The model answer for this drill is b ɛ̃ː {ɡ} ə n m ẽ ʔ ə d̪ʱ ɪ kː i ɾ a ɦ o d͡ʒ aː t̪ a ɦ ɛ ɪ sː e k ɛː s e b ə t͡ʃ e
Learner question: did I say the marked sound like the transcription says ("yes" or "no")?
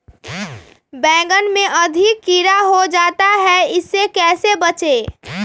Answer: yes